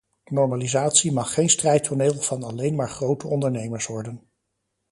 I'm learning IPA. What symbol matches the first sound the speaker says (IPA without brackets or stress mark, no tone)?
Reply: n